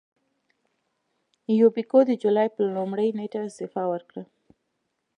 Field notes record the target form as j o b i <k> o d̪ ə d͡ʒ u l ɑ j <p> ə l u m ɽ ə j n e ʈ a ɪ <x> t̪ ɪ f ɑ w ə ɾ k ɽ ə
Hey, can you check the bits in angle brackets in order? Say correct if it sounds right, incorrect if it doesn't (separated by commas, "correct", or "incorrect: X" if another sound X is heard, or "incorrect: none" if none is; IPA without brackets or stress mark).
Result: correct, correct, incorrect: s